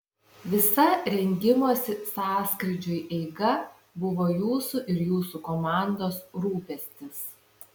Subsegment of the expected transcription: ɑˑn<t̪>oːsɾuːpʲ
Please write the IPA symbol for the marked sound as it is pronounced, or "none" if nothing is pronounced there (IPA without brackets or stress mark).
d̪